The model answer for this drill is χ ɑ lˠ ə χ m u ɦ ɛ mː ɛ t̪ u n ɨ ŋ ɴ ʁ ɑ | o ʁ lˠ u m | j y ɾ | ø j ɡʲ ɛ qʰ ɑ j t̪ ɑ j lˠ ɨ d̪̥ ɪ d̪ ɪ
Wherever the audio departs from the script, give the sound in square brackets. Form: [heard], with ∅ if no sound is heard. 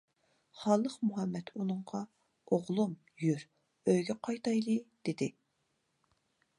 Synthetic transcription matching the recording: χ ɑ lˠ ə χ m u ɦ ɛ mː ɛ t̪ u n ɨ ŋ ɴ ʁ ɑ | o ʁ lˠ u m | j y ɾ | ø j ɡʲ ɛ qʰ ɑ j t̪ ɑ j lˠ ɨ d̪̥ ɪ d̪ ɪ